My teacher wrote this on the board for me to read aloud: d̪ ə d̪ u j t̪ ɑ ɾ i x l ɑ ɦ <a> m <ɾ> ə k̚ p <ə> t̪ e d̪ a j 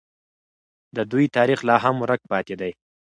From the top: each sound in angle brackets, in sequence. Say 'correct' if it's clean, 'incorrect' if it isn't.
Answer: correct, correct, incorrect

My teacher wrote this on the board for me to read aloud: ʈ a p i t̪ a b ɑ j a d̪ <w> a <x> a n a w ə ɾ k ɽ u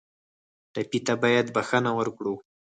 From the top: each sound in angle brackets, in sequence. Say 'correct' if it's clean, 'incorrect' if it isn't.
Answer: incorrect, correct

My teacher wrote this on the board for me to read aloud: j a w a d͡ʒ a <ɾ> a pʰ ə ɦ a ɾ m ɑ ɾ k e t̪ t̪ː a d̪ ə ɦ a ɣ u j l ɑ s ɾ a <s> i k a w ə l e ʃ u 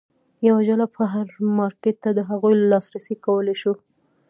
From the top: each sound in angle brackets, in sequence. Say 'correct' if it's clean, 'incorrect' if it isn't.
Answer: incorrect, correct

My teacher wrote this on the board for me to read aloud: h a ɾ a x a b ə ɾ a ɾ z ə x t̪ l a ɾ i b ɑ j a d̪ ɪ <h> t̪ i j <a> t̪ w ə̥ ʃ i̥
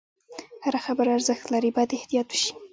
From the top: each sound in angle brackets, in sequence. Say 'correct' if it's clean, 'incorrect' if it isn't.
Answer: correct, incorrect

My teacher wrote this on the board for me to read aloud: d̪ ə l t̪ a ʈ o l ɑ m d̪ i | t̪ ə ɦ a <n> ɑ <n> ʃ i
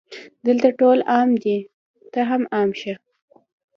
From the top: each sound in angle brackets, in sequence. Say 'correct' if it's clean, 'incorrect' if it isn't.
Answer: incorrect, incorrect

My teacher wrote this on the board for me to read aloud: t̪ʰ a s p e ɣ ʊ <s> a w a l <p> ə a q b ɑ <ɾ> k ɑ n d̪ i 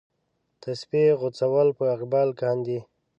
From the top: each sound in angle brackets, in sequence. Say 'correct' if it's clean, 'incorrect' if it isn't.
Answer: incorrect, correct, incorrect

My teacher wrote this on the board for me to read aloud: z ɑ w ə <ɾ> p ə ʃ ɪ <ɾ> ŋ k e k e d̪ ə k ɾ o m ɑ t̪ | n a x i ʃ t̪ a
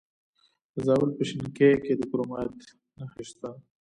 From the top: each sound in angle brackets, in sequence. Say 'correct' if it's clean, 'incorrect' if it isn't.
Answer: incorrect, incorrect

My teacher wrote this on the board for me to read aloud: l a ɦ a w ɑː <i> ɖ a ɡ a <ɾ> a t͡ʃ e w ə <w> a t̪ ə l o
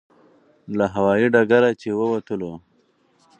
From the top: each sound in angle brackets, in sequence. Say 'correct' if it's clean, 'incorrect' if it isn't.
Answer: correct, correct, correct

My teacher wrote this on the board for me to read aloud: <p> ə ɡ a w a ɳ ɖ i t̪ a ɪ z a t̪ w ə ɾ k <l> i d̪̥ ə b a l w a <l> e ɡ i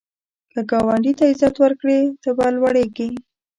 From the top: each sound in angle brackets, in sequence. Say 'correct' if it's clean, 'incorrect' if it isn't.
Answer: incorrect, incorrect, incorrect

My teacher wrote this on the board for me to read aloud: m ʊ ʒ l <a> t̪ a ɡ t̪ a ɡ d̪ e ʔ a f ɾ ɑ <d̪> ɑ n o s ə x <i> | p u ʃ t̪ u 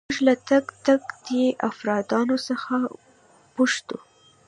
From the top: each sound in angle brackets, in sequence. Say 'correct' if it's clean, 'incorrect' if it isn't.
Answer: correct, correct, incorrect

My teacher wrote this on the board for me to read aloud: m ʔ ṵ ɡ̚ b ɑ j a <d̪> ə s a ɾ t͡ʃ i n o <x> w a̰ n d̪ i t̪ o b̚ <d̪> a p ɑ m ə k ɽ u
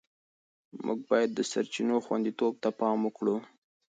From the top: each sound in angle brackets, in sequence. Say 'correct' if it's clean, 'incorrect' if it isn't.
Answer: incorrect, correct, incorrect

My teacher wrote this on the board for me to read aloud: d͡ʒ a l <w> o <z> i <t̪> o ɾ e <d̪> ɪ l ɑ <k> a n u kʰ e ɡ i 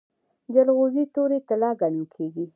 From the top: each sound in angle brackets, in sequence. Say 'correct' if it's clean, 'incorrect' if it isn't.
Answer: incorrect, correct, correct, incorrect, incorrect

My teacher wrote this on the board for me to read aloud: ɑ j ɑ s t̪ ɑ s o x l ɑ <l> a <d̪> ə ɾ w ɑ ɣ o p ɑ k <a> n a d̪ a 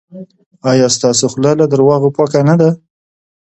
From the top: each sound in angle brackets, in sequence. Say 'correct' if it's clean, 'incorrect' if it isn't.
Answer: correct, correct, correct

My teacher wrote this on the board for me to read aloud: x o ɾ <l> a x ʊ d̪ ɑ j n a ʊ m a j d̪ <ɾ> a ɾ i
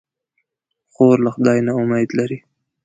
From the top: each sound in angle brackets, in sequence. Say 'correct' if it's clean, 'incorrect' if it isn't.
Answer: correct, incorrect

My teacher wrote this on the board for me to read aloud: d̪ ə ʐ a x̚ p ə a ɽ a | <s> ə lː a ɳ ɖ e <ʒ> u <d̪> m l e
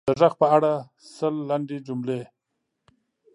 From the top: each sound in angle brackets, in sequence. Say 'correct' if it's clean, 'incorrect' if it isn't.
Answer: correct, incorrect, incorrect

